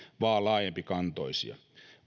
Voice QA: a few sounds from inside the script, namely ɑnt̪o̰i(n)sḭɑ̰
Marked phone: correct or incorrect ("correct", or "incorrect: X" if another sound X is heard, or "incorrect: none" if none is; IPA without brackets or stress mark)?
incorrect: none